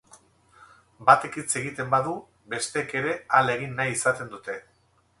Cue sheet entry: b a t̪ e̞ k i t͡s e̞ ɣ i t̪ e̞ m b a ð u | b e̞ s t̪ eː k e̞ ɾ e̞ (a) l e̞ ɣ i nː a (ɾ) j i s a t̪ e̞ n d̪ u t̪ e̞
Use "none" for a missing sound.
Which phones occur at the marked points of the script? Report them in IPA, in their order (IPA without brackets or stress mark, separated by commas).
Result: a, none